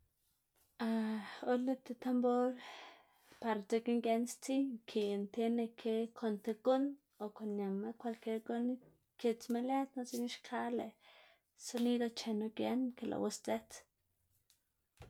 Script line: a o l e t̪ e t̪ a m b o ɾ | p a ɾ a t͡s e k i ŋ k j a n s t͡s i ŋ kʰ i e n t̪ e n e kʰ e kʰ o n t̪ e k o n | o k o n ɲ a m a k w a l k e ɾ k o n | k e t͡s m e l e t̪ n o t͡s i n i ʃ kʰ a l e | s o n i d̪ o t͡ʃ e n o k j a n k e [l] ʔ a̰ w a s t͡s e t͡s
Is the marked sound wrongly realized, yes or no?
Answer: no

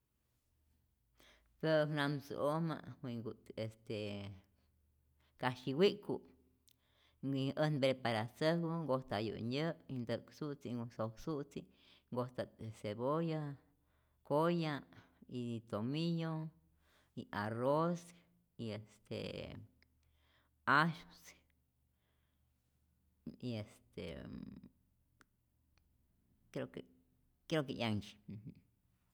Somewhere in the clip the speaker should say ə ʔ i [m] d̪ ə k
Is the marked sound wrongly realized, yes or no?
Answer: yes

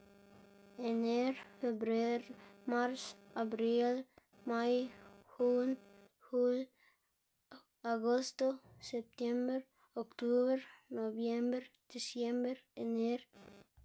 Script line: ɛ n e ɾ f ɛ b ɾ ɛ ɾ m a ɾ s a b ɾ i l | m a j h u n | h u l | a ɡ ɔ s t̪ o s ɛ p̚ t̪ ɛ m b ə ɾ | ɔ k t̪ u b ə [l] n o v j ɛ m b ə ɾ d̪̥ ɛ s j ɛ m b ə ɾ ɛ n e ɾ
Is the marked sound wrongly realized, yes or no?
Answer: yes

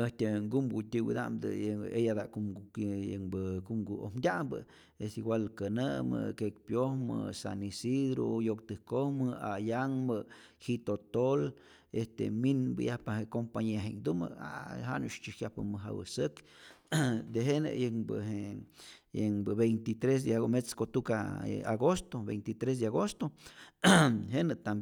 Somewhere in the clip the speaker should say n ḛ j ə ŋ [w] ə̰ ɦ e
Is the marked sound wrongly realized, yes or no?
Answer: yes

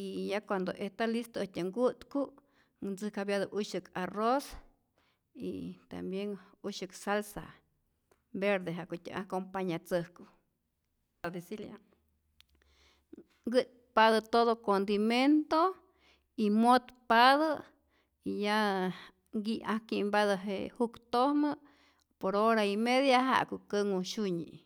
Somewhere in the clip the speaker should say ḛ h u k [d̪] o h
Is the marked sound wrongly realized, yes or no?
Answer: yes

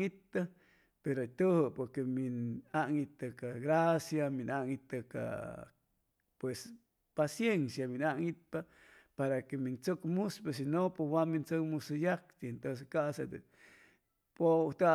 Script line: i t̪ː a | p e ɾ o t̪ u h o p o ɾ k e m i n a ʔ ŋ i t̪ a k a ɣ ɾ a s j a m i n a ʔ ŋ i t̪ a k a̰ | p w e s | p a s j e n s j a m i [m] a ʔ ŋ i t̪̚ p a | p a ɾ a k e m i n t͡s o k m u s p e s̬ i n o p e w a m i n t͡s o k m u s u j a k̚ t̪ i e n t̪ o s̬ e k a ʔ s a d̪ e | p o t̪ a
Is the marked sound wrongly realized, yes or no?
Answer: yes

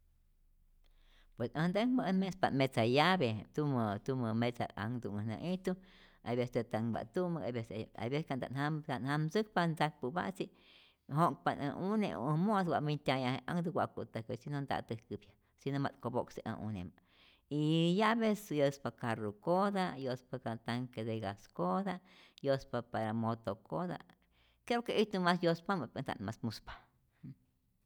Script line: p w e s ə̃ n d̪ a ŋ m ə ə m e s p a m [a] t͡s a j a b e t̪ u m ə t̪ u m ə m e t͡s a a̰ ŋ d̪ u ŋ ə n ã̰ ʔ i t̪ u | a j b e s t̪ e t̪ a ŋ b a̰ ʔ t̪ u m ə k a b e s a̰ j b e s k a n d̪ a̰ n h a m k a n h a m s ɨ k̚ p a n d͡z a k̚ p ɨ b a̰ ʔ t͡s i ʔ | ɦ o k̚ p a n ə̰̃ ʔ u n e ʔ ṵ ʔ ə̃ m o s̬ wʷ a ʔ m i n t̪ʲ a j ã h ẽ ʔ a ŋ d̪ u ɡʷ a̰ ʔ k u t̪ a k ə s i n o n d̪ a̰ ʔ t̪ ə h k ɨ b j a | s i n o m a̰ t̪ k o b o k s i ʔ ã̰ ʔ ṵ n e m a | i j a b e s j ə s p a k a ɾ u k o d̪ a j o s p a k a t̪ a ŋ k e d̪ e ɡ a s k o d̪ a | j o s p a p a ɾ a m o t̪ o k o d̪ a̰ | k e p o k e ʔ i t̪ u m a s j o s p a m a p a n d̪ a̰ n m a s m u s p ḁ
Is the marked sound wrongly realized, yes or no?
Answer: yes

